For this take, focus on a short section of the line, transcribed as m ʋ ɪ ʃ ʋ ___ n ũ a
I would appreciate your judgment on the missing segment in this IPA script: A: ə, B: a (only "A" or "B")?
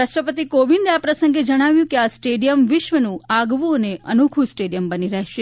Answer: A